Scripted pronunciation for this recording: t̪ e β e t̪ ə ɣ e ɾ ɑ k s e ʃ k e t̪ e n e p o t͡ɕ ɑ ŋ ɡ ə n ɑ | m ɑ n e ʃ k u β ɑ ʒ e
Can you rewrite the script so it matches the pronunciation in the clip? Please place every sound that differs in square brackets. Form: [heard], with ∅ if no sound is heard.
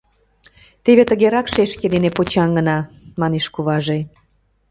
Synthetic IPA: t̪ e β e t̪ ə ɣ e ɾ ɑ k [ʃ] e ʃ k e [d̪] e n e p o t͡ɕ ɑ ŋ ɡ ə n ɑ | m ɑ n e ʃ k u β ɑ ʒ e